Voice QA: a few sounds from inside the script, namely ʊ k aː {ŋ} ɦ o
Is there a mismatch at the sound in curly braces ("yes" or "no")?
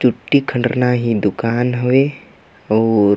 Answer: yes